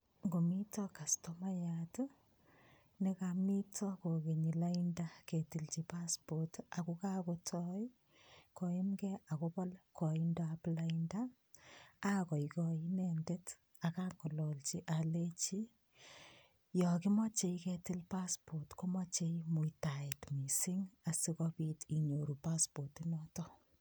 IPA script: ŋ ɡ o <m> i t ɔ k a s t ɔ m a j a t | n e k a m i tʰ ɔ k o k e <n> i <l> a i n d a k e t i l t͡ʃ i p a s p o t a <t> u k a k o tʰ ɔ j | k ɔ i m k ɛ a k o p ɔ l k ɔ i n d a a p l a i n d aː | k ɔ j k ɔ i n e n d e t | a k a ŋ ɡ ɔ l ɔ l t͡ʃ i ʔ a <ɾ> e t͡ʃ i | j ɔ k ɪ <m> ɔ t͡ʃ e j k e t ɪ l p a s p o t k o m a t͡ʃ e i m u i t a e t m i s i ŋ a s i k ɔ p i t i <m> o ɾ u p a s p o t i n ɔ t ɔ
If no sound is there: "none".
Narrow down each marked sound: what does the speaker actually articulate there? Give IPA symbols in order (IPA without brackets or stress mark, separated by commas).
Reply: m, ɲ, l, k, l, m, ɲ